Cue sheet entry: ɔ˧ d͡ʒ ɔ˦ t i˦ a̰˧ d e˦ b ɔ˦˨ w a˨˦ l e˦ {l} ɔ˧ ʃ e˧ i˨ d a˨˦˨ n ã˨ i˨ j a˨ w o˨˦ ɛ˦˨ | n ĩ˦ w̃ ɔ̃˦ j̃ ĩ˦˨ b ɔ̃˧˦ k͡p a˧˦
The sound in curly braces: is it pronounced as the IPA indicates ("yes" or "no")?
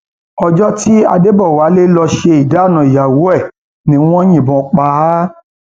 yes